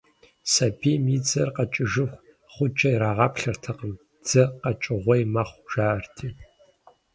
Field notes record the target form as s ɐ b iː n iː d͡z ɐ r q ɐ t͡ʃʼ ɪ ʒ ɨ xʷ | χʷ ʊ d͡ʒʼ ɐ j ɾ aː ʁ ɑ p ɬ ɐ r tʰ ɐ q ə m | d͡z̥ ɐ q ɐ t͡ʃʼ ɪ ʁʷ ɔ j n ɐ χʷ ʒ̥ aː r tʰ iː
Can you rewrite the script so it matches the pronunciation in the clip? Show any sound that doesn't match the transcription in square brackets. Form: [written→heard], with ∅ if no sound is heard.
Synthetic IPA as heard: s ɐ b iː [n→m] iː d͡z ɐ r q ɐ t͡ʃʼ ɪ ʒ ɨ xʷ | χʷ ʊ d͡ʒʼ ɐ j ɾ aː ʁ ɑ p ɬ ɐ r tʰ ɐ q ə m | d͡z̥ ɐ q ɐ t͡ʃʼ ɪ ʁʷ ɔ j [n→m] ɐ χʷ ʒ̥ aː r tʰ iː